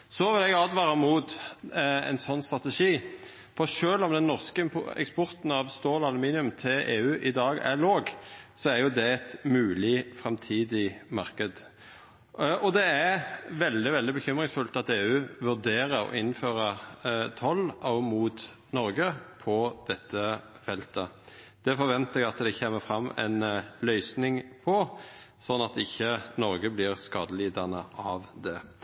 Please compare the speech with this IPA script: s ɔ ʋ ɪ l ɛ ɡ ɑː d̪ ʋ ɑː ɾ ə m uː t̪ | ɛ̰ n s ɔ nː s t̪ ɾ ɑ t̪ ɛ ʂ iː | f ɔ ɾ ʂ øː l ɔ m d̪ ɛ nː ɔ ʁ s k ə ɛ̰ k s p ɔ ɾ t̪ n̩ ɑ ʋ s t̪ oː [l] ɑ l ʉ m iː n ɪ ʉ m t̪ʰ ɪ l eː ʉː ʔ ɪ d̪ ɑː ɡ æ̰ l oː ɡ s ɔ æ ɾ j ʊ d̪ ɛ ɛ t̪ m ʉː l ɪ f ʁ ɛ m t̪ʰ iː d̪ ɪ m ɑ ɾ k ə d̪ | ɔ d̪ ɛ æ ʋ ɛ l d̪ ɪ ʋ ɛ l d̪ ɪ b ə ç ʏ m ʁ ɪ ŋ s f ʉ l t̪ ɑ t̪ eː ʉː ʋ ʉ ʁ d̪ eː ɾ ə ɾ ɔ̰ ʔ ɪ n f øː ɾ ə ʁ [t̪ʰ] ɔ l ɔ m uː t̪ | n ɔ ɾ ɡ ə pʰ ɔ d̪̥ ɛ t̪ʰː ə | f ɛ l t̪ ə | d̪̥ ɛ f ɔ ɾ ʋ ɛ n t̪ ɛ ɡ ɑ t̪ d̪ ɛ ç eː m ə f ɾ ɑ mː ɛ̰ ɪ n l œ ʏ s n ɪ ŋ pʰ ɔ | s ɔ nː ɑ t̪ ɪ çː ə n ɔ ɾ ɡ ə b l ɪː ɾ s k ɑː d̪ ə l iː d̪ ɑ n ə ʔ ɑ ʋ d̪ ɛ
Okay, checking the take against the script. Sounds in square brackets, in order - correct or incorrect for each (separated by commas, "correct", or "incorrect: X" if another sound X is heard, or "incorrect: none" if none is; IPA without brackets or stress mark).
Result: correct, correct